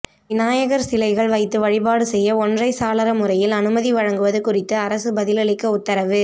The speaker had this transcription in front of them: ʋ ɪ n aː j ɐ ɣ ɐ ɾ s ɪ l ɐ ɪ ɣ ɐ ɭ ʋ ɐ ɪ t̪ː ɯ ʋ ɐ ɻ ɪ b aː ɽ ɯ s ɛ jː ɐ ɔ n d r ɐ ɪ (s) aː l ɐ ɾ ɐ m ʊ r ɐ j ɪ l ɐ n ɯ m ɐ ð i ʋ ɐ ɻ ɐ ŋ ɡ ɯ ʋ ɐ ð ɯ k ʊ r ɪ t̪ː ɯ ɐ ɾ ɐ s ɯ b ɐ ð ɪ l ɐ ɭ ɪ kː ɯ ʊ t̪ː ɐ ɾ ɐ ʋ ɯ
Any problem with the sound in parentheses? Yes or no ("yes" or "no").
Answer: no